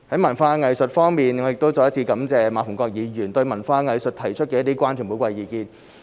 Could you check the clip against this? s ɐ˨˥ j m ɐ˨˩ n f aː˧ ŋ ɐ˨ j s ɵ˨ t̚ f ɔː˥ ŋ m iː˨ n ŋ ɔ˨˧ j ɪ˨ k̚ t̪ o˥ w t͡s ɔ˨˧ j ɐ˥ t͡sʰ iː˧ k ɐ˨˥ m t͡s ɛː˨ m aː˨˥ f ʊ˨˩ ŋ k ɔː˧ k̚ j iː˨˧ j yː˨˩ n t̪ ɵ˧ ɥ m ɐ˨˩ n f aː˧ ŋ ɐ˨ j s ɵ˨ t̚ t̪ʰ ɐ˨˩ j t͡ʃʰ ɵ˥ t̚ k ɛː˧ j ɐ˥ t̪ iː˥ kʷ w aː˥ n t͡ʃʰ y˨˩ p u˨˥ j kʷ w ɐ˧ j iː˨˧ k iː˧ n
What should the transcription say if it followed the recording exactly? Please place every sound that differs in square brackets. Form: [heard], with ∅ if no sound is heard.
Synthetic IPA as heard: [h] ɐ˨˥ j m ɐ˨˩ n f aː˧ ŋ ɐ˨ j s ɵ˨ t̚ f ɔː˥ ŋ m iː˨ n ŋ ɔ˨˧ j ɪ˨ k̚ t̪ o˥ w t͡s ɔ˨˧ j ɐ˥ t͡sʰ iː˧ k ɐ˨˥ m t͡s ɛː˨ m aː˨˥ f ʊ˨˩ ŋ k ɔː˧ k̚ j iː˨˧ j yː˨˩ n t̪ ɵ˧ ɥ m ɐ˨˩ n f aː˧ ŋ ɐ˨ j s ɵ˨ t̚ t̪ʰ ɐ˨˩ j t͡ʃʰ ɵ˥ t̚ k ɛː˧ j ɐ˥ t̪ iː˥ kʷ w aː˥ n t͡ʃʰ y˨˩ p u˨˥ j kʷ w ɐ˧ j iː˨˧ k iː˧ n

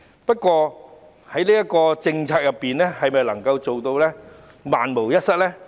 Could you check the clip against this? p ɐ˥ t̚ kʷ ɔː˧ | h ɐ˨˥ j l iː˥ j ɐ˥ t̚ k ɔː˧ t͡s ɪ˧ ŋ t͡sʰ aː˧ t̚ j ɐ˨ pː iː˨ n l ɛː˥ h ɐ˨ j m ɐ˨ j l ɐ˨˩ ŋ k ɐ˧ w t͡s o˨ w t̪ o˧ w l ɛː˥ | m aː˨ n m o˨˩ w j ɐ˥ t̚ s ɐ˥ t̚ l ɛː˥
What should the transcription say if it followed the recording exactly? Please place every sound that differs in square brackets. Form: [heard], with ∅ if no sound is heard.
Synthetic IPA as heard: p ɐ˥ t̚ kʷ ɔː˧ | h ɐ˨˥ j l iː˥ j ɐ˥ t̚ k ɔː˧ t͡s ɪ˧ ŋ t͡sʰ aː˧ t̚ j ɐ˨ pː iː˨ n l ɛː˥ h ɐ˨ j m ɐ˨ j l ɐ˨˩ ŋ k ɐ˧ w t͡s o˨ w t̪ o˧ w l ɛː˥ | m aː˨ n m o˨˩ w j ɐ˥ t̚ s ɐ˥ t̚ l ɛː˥

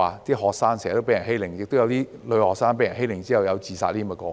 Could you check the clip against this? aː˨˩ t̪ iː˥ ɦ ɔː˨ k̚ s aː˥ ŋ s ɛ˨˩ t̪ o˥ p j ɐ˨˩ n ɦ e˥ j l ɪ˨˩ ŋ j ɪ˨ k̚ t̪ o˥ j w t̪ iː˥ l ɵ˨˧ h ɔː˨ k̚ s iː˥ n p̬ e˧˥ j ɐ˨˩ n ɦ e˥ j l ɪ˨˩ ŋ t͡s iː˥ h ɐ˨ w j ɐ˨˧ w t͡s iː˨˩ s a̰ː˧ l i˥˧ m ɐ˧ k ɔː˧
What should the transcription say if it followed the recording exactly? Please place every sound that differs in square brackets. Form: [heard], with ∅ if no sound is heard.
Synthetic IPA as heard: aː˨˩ t̪ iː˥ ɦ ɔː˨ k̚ s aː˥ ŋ s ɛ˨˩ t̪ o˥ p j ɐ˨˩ n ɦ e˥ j l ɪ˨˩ ŋ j ɪ˨ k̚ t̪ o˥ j w t̪ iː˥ l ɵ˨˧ h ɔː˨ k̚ s [aː˥] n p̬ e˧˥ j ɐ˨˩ n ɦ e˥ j l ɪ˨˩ ŋ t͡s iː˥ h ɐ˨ w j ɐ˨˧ w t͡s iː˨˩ s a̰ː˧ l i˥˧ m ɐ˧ k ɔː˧

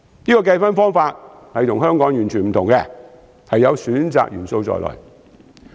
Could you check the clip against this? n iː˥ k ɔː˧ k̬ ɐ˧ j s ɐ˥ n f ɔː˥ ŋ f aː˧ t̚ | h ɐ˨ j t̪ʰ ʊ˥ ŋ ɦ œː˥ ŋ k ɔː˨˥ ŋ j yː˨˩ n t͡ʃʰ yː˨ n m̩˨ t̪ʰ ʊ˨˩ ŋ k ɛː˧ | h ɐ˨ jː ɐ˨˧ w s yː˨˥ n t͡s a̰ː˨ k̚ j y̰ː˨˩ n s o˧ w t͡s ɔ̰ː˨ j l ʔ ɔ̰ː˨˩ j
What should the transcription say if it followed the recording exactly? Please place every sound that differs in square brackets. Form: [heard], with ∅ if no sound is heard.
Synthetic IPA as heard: n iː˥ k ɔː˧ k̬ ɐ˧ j [f] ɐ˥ n f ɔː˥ ŋ f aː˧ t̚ | h ɐ˨ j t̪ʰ [ʊ˨˩] ŋ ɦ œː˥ ŋ k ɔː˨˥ ŋ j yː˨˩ n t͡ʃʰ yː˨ n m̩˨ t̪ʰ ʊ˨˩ ŋ k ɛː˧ | h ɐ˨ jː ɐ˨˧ w s yː˨˥ n t͡s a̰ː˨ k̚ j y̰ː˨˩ n s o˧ w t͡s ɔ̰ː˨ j l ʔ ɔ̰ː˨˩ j

